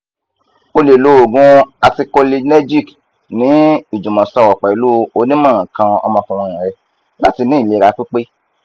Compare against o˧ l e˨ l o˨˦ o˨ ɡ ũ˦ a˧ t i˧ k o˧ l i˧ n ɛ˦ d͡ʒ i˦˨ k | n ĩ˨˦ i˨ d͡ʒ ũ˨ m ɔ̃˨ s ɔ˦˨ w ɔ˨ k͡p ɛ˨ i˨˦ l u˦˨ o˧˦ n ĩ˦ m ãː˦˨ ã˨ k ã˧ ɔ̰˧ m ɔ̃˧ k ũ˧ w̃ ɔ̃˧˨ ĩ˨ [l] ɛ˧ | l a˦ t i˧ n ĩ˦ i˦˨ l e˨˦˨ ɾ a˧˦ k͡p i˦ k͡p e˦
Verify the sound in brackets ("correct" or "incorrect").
incorrect